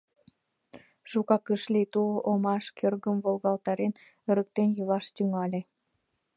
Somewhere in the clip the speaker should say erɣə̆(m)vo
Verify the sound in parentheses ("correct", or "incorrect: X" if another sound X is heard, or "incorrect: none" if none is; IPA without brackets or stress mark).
correct